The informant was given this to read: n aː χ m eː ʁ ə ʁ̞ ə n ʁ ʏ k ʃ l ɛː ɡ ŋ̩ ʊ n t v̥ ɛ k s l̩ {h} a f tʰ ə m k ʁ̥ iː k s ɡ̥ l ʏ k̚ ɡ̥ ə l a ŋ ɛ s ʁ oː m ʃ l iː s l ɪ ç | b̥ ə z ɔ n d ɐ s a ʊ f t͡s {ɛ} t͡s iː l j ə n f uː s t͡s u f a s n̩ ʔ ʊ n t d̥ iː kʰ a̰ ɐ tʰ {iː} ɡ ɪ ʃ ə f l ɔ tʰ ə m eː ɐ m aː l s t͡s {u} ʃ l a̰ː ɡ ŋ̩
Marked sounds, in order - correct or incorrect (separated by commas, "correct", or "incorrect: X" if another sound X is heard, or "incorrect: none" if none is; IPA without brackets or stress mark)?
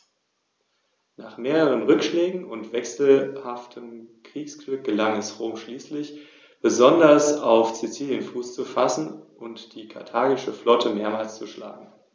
correct, incorrect: i, incorrect: aː, correct